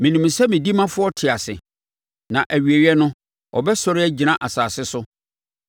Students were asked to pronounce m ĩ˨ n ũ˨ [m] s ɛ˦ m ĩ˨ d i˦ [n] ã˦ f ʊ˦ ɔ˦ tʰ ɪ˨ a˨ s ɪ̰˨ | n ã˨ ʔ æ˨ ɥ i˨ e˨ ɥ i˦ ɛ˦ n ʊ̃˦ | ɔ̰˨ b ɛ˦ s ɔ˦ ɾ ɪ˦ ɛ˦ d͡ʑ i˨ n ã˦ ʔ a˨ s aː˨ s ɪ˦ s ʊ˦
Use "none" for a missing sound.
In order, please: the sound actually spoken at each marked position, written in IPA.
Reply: m, m

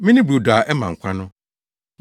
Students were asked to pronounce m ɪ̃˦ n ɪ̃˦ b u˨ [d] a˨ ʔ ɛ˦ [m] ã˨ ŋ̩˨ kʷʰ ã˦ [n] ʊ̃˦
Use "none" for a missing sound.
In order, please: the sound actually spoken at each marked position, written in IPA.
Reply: d, m, n

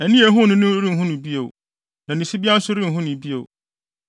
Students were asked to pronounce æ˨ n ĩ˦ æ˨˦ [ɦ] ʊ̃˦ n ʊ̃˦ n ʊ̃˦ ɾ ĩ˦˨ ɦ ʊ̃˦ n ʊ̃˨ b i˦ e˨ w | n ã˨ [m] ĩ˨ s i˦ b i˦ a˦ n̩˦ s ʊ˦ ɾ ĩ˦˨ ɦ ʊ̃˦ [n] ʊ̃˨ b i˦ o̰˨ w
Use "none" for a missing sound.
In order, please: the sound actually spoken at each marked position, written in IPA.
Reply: ɦ, n, n

